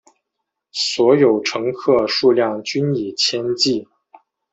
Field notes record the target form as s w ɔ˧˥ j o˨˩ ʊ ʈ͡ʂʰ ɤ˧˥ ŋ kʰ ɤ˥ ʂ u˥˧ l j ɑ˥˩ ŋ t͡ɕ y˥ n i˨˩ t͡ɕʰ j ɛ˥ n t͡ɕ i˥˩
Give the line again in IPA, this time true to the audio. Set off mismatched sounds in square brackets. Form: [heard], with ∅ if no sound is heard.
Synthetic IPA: s w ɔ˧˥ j o˨˩ ʊ ʈ͡ʂʰ ɤ˧˥ ŋ kʰ [ɤ˥˧] ʂ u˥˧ l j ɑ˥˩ ŋ t͡ɕ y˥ n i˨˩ t͡ɕʰ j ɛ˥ n t͡ɕ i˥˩